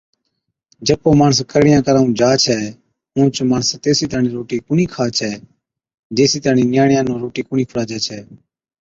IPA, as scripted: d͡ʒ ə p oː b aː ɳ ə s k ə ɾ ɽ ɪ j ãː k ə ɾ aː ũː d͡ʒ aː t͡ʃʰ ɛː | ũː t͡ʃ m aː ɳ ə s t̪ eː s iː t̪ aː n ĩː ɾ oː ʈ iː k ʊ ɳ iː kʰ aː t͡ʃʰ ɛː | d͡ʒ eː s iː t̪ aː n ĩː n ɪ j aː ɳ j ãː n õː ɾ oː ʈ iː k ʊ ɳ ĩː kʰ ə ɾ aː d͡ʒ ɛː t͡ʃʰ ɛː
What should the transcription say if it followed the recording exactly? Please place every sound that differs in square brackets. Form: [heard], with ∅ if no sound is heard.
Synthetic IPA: d͡ʒ ə p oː [m] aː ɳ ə s k ə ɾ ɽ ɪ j ãː k ə ɾ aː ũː d͡ʒ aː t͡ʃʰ ɛː | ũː t͡ʃ m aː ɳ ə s t̪ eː s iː t̪ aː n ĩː ɾ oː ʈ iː k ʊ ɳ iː kʰ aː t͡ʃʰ ɛː | d͡ʒ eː s iː t̪ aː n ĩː n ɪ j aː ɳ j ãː n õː ɾ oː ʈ iː k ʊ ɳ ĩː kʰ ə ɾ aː d͡ʒ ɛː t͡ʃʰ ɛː